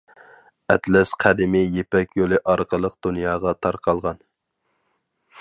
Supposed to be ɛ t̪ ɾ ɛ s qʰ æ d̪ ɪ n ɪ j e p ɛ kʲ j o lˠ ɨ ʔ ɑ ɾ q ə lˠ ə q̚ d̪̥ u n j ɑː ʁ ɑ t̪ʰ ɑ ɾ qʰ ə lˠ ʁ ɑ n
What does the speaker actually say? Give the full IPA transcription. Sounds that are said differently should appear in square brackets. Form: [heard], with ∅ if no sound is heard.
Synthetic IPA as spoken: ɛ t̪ [l] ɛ s qʰ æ d̪ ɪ [m] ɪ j e p ɛ kʲ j o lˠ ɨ ʔ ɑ ɾ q ə lˠ ə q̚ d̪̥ u n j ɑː ʁ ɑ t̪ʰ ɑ ɾ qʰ [ɑ] lˠ ʁ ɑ n